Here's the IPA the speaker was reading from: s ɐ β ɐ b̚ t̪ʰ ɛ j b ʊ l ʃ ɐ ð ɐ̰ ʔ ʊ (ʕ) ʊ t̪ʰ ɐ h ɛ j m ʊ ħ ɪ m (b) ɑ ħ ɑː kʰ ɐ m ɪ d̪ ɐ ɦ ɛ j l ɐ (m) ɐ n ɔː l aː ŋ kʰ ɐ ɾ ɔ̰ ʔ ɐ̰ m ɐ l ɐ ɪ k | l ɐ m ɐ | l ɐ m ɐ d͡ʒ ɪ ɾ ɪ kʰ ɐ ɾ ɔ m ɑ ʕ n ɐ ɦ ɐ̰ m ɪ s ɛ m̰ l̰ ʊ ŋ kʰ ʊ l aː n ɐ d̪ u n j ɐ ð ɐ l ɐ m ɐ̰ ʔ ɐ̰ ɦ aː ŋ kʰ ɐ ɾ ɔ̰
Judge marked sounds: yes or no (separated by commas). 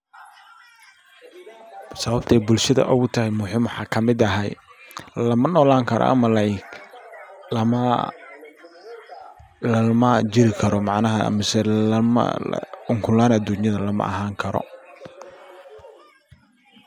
no, no, yes